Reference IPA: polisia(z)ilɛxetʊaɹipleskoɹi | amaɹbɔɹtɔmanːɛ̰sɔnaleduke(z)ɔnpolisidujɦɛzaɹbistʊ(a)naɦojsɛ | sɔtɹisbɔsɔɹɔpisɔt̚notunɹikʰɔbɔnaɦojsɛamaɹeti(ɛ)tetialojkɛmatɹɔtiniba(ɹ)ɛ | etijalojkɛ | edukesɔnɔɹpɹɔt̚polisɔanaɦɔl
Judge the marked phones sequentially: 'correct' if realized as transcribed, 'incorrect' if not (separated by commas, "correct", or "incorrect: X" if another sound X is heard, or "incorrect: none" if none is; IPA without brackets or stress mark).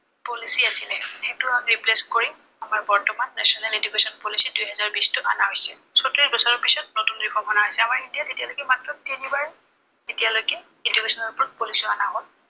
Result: incorrect: s, incorrect: s, correct, incorrect: a, correct